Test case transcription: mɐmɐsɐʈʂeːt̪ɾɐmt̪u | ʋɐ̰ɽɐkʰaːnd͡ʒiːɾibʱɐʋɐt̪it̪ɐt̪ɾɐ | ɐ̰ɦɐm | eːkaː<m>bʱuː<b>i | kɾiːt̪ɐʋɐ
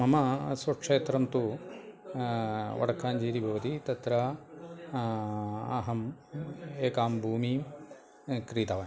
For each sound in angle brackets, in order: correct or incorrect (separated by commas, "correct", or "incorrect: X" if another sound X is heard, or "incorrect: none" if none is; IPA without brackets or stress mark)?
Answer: correct, incorrect: m